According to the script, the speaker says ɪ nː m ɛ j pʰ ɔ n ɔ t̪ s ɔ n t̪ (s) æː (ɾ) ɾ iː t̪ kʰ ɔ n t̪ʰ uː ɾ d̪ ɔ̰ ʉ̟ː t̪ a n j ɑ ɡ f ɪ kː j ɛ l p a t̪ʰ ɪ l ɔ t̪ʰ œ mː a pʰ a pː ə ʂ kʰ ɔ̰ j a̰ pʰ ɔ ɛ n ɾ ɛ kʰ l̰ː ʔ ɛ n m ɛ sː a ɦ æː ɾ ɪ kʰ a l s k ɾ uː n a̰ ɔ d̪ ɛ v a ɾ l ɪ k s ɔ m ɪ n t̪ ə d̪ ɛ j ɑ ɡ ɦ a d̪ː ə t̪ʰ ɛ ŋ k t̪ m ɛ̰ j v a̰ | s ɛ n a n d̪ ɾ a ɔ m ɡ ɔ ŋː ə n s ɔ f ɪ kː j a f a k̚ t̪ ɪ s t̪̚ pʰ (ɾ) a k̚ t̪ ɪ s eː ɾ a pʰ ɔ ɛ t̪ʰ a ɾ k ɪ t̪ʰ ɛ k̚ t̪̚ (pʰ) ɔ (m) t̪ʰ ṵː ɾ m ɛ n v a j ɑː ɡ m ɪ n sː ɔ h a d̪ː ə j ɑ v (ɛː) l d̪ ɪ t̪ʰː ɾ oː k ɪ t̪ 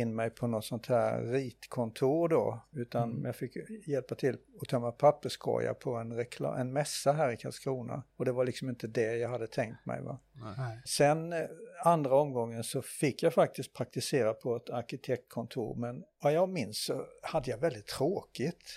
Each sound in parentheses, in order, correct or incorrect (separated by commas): incorrect, correct, correct, incorrect, incorrect, incorrect